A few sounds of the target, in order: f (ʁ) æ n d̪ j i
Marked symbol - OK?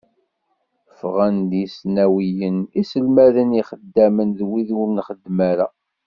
yes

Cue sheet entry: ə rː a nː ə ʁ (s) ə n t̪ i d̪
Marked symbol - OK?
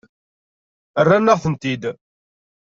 no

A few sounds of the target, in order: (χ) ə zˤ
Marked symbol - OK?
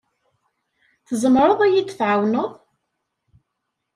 no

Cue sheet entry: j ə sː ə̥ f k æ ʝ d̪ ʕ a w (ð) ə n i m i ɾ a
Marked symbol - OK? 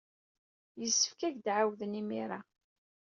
yes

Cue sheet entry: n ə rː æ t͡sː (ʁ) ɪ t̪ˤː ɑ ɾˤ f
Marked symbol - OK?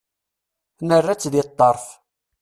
no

